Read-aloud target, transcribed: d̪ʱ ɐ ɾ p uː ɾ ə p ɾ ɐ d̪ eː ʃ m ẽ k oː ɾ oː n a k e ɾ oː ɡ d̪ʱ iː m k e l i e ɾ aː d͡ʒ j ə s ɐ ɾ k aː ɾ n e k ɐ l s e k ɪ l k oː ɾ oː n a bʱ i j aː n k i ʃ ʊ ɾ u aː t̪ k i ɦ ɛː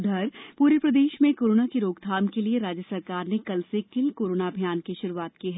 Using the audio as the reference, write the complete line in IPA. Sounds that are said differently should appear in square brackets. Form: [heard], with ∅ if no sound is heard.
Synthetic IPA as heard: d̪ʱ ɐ ɾ p uː ɾ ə p ɾ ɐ d̪ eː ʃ m ẽ k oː ɾ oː n a k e ɾ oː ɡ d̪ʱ [aː] m k e l i e ɾ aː d͡ʒ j ə s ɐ ɾ k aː ɾ n e k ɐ l s e k ɪ l k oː ɾ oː n a bʱ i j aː n k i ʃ ʊ ɾ u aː t̪ k i ɦ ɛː